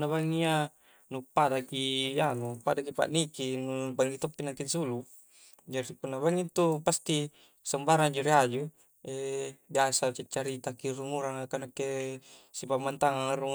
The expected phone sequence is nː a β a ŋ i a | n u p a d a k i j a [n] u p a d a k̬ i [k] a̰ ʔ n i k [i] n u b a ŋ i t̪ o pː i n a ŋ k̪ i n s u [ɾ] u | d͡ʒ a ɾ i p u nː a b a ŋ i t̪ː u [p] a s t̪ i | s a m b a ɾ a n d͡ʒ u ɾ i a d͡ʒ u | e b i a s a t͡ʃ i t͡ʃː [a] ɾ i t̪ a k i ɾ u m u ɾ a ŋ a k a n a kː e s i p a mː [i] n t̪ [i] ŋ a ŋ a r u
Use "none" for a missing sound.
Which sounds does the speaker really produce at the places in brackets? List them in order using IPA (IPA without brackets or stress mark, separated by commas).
n, p, i, l, p, a, a, a